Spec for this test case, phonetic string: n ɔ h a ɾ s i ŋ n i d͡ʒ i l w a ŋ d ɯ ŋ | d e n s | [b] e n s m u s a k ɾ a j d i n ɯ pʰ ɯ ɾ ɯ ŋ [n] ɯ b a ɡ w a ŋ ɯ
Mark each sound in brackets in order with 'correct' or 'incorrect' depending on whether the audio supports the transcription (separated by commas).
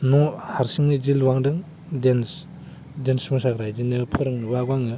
incorrect, correct